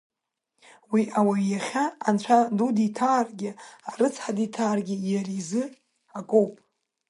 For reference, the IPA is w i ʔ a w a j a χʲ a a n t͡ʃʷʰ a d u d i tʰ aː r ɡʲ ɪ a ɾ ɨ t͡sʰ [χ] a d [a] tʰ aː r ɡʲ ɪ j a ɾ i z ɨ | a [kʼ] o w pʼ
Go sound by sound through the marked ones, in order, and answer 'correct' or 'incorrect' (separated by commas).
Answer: incorrect, incorrect, correct